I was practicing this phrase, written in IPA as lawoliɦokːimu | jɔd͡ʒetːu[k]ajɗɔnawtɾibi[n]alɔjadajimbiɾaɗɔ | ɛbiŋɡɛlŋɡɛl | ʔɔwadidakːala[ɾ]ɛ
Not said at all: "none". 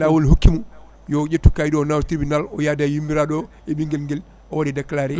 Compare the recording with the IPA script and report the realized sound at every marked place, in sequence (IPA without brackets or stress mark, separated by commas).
k, n, ɾ